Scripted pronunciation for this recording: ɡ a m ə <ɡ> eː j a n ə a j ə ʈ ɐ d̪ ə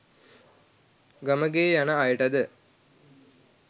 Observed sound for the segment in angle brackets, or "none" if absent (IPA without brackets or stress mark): ɡ